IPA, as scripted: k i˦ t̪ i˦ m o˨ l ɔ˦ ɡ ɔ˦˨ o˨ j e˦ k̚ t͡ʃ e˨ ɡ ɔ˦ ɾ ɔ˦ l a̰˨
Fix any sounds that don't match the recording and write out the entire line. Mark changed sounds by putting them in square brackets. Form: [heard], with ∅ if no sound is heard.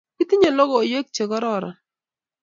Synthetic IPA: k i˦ t̪ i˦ [ɲ] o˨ l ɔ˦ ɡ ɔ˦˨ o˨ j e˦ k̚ t͡ʃ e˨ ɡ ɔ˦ ɾ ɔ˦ [ɾ] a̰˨